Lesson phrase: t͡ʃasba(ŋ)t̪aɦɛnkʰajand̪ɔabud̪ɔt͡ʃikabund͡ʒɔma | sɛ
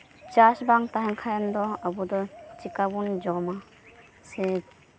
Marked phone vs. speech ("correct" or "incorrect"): correct